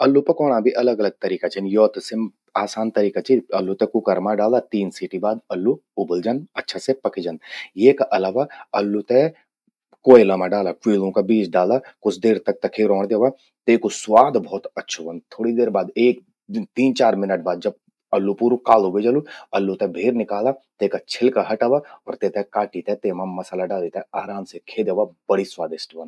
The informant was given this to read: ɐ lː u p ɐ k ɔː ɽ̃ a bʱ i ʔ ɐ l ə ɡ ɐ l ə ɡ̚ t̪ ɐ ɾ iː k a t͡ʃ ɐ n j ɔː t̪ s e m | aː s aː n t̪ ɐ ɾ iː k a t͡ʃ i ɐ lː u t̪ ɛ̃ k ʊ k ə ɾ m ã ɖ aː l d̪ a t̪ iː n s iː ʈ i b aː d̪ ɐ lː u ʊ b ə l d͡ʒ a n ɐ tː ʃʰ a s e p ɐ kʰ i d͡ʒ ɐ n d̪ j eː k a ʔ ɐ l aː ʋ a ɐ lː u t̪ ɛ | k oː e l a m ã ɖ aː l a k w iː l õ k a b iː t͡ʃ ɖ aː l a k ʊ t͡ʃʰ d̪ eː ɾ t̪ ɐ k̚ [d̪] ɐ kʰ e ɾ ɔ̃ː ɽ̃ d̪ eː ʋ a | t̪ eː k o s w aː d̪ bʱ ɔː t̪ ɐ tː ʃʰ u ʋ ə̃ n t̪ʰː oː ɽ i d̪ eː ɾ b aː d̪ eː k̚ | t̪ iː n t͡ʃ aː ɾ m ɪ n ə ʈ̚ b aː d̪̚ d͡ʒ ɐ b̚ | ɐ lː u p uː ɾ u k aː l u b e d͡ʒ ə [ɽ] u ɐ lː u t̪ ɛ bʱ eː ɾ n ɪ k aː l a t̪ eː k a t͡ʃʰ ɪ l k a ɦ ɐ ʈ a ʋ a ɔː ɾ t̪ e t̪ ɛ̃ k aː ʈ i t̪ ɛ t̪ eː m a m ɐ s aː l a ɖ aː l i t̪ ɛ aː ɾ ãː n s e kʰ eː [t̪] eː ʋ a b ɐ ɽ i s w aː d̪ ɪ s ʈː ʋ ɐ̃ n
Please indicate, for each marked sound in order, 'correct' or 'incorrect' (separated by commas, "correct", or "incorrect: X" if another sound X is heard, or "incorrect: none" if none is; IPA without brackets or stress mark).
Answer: incorrect: t̪, incorrect: l, incorrect: d̪